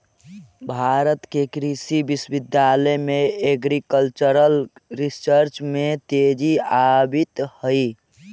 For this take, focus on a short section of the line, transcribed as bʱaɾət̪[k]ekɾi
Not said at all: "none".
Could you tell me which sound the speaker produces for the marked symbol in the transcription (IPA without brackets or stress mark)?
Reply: k